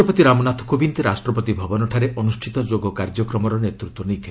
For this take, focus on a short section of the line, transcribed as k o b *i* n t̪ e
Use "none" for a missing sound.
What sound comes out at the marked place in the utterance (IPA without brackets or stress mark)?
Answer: i